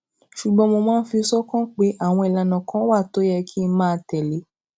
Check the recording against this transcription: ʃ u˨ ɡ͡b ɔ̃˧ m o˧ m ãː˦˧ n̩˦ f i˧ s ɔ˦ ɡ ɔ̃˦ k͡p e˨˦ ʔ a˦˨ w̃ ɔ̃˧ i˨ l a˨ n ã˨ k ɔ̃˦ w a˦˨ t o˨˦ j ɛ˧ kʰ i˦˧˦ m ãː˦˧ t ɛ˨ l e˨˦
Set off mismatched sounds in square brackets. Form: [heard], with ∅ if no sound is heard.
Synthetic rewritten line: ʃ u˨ ɡ͡b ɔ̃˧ m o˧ m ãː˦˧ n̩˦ f i˧ s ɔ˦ [k] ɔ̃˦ k͡p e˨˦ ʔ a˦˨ w̃ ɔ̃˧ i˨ l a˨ n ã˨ k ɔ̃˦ w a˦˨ t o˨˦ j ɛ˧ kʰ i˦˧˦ m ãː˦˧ t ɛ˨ l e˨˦

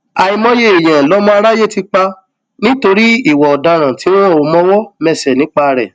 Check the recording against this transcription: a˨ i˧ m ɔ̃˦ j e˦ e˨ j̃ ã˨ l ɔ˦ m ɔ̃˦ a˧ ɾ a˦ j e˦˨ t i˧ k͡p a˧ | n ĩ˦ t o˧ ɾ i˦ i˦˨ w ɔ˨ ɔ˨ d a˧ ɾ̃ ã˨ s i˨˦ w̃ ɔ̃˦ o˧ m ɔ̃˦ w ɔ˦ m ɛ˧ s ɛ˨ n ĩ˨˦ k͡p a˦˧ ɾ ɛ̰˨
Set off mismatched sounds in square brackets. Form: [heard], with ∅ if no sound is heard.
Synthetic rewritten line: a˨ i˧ m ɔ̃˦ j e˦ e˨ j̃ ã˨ l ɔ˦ m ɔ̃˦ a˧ ɾ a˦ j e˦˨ t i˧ k͡p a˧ | n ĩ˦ t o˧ ɾ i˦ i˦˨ w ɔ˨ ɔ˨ d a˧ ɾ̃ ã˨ [t] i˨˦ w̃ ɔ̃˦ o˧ m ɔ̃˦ w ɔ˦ m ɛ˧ s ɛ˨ n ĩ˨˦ k͡p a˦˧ ɾ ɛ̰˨

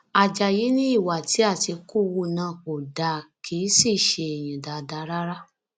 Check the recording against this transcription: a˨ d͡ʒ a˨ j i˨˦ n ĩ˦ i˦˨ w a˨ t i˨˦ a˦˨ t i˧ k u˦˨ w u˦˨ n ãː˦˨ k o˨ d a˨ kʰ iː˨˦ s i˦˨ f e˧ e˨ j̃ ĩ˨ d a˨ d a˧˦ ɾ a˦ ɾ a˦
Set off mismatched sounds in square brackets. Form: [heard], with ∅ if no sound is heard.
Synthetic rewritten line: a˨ d͡ʒ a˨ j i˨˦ n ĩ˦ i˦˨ w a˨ t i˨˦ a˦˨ t i˧ k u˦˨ w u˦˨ n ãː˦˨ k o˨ d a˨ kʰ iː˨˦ s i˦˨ [ʃ] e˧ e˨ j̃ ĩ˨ d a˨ d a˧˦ ɾ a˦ ɾ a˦

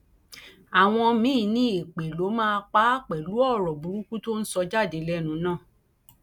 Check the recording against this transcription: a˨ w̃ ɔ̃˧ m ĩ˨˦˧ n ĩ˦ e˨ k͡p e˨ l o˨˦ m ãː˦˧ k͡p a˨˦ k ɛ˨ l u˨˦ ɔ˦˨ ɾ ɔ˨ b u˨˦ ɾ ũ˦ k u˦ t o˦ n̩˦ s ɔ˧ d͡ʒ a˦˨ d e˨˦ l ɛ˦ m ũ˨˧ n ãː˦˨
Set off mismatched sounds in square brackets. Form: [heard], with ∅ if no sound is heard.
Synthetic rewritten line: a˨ w̃ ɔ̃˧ m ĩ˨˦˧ n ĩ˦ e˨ k͡p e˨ l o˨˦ m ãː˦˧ k͡p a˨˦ [k͡p] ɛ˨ l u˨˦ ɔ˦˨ ɾ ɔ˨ b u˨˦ ɾ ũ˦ k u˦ t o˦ n̩˦ s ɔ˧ d͡ʒ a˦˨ d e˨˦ l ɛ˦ [n] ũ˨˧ n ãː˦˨

